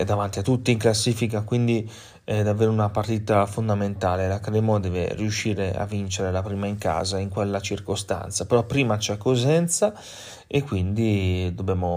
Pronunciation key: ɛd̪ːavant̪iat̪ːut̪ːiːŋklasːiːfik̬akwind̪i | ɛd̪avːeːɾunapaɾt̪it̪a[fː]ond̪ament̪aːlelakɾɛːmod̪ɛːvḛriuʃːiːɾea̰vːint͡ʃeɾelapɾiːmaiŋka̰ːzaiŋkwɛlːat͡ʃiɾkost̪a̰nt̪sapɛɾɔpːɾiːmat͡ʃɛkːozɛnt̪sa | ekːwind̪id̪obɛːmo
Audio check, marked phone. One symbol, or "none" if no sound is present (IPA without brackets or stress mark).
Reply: f